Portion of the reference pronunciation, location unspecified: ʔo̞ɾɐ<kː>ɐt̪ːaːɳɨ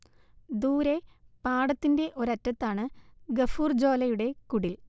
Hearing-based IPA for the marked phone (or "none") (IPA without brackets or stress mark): tː